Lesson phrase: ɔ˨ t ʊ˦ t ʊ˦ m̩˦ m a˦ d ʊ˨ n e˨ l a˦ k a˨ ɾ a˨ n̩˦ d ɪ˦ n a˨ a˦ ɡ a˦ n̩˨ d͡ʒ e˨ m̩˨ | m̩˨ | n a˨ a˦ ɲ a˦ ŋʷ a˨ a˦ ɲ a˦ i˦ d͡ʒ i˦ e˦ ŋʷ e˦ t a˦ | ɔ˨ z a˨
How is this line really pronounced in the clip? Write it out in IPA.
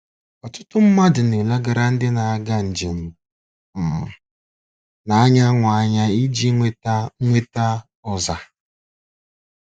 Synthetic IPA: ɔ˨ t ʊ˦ t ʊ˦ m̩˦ m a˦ d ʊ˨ n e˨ l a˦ ɡ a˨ ɾ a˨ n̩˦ d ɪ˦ n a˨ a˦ ɡ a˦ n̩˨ d͡ʒ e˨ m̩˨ | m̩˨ | n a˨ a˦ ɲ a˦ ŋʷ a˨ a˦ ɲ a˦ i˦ d͡ʒ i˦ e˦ ŋʷ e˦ t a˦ | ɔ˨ z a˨